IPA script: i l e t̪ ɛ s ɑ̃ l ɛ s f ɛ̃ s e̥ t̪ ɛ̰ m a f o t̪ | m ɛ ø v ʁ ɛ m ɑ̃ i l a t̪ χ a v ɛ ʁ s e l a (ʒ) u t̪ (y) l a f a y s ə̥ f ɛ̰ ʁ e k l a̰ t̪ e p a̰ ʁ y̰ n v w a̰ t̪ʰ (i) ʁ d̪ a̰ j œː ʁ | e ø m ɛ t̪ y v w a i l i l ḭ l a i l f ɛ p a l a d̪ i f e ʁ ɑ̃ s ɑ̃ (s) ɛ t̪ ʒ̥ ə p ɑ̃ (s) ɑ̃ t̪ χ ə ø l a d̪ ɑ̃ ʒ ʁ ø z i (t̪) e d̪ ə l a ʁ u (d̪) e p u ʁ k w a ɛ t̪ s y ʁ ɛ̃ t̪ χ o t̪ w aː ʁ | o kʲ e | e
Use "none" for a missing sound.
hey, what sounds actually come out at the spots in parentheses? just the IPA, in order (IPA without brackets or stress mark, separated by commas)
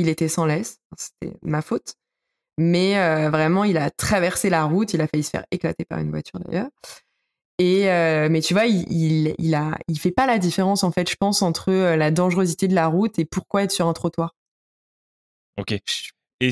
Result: ʁ, i, y, f, s, t̪, t̪